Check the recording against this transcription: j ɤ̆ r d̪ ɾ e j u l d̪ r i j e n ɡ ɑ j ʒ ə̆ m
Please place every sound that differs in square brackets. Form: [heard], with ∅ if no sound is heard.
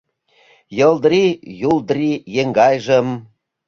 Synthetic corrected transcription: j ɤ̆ [l] d̪ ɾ [i] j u l d̪ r i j e [ŋ] ɡ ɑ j ʒ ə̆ m